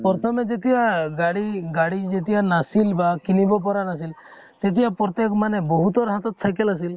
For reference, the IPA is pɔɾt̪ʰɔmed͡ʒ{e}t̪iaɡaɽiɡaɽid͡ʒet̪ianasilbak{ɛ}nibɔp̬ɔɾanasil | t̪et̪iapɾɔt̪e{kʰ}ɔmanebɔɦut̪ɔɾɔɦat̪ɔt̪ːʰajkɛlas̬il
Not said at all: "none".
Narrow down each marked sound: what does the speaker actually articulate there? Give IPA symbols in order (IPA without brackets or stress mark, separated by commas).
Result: e, i, k